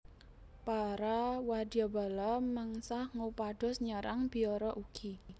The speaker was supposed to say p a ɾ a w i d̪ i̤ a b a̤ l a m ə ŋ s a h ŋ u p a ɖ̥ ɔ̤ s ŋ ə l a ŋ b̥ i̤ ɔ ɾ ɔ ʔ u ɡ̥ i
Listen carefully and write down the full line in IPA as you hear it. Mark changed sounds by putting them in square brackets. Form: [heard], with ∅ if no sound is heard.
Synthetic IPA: p a ɾ a w [a] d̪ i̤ a b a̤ l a m ə ŋ s a h ŋ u p a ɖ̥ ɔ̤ s [ɲ] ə [ɾ] a ŋ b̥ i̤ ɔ ɾ ɔ ʔ u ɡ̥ i